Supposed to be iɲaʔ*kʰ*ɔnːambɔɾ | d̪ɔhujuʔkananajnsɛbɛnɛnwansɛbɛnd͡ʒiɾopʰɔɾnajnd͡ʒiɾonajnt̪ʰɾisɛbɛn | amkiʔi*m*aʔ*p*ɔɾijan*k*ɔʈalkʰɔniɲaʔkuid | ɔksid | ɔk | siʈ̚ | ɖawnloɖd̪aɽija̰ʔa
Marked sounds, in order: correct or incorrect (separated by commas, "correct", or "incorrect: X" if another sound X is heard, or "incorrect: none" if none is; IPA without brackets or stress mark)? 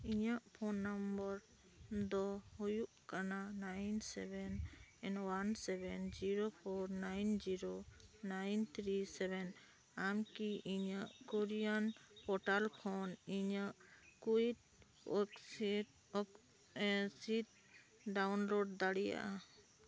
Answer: incorrect: pʰ, incorrect: ɲ, incorrect: k, incorrect: p